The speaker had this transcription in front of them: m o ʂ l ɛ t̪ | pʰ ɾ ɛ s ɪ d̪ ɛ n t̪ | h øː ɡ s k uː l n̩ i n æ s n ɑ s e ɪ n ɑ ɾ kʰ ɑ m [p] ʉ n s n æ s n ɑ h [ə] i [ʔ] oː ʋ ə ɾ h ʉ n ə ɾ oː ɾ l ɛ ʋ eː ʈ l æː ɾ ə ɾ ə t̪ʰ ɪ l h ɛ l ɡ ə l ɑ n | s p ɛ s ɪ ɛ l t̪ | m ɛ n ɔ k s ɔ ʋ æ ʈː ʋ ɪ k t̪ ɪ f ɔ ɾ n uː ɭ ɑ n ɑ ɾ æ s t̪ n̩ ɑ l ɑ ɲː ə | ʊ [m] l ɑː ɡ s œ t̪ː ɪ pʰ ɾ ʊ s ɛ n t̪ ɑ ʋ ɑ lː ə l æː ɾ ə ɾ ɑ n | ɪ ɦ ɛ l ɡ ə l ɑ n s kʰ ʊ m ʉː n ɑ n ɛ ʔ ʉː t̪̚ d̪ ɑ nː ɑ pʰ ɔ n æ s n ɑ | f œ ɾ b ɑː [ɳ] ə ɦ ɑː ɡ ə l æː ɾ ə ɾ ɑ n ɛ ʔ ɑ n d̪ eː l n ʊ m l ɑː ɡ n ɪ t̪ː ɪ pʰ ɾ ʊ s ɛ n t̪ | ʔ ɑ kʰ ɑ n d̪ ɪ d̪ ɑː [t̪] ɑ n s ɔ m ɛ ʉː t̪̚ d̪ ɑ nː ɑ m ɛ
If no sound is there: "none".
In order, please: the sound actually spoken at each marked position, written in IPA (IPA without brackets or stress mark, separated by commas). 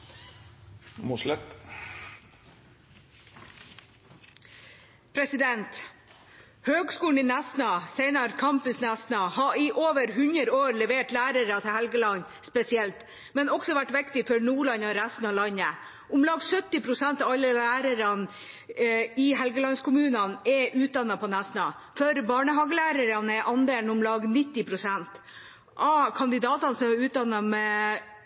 p, ɑ, ʔ, m, ɳ, t̪